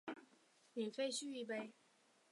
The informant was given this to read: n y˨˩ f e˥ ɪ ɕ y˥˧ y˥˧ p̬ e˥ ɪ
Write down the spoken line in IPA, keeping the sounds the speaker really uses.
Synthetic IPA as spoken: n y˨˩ f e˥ ɪ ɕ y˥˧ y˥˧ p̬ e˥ ɪ